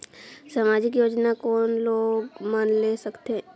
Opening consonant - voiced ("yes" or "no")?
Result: no